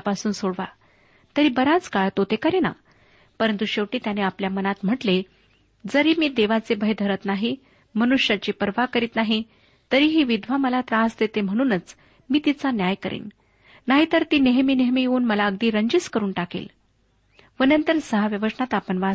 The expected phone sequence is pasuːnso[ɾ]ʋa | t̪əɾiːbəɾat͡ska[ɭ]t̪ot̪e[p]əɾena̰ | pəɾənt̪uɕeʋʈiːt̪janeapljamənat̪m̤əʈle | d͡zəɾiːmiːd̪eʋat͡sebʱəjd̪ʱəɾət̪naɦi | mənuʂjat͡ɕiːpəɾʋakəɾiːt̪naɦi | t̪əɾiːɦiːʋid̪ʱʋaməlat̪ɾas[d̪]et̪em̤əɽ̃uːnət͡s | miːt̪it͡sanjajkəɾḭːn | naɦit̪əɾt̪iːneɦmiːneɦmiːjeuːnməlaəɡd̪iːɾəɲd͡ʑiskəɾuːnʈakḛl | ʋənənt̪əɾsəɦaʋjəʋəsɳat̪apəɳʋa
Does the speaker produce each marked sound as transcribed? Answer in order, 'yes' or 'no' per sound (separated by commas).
no, yes, no, yes